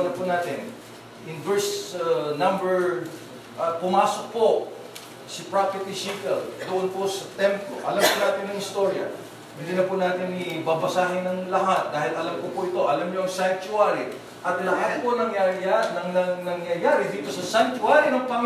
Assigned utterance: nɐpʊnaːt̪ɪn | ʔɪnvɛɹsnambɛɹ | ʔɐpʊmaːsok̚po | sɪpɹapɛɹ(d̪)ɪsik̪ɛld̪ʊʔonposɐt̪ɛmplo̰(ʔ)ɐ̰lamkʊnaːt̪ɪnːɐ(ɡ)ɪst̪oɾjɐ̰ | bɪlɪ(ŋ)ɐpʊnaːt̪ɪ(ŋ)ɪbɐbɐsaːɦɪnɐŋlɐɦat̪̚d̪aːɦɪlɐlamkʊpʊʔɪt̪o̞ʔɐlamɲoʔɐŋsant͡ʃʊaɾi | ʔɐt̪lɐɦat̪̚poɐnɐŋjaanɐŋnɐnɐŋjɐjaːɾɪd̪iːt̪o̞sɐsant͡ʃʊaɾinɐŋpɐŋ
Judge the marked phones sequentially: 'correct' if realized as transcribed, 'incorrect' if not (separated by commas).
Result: incorrect, correct, incorrect, incorrect, incorrect